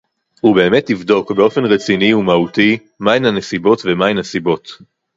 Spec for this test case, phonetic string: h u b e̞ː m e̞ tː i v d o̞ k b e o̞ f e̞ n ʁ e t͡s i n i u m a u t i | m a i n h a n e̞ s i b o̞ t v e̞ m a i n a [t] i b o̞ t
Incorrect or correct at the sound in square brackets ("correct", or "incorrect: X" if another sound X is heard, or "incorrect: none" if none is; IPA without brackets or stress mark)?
incorrect: s